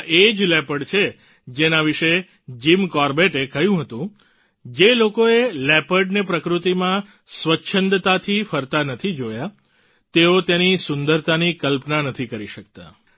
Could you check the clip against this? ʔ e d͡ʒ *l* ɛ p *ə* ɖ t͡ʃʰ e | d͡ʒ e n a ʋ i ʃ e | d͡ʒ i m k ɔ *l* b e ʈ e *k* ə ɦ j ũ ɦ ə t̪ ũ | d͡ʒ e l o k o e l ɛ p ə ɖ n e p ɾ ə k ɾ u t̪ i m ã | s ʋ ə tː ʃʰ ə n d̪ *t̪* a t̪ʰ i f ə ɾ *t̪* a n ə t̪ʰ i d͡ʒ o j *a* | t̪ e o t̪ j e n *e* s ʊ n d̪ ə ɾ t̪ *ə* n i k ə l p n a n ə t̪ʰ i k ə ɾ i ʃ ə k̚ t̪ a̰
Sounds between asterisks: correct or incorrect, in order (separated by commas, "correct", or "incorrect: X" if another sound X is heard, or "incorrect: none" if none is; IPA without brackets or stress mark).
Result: correct, correct, incorrect: ɾ, correct, correct, correct, correct, incorrect: i, incorrect: a